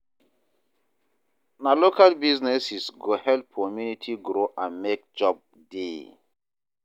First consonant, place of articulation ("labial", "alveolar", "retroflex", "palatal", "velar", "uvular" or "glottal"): alveolar